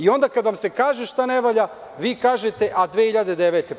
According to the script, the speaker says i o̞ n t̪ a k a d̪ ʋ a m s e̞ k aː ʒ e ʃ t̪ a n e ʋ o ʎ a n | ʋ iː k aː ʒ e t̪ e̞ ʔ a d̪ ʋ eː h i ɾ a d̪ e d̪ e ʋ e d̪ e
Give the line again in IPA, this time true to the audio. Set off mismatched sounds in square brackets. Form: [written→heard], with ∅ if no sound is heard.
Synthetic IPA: i o̞ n [t̪→d̪] a k a d̪ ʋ a m s e̞ k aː ʒ e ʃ t̪ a n e ʋ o ʎ a [n→∅] | ʋ iː k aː ʒ e t̪ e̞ ʔ a d̪ ʋ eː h i [ɾ→ʎ] a d̪ e d̪ e ʋ e [d̪→t̪] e